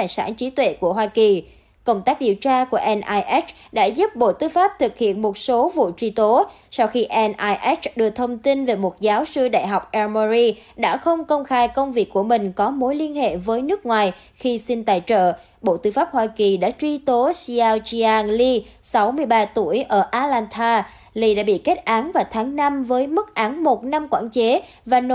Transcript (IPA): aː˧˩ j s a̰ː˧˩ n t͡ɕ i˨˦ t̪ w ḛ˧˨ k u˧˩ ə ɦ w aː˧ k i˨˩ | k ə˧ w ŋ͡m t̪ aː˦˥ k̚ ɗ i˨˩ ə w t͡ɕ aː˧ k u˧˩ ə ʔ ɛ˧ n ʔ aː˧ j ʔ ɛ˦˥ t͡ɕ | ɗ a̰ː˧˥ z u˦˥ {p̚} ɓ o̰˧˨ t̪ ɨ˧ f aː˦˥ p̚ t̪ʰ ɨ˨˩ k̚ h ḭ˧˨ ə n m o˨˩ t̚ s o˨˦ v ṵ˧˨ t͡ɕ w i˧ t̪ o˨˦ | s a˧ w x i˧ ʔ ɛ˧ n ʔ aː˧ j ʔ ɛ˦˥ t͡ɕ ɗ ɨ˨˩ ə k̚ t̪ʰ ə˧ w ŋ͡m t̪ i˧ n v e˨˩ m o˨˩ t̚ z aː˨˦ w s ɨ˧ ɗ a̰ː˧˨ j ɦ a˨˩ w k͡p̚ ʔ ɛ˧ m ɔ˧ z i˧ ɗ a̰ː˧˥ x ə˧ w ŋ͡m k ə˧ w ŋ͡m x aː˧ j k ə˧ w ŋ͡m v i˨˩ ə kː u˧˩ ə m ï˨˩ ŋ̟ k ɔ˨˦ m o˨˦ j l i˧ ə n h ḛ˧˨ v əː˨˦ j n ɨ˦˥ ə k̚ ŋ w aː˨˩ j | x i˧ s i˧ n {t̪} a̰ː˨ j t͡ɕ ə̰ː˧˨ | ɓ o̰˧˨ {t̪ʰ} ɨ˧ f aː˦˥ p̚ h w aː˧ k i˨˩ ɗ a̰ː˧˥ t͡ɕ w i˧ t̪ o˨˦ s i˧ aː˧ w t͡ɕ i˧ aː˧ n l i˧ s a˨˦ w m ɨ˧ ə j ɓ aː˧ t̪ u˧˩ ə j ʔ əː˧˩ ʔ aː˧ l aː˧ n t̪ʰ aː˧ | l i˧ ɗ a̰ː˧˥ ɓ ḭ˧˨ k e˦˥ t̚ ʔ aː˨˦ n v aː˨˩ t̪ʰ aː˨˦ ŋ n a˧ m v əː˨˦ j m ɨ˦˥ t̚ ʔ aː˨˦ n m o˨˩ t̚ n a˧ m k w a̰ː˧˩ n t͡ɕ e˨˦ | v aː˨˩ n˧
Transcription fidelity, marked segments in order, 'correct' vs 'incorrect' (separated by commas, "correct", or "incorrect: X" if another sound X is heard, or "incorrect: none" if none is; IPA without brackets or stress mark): correct, correct, incorrect: t̪